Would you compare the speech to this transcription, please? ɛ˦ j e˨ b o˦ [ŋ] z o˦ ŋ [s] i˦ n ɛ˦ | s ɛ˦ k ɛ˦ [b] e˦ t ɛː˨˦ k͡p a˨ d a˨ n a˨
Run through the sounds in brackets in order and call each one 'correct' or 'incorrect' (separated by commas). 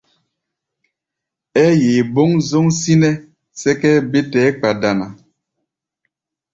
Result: correct, correct, correct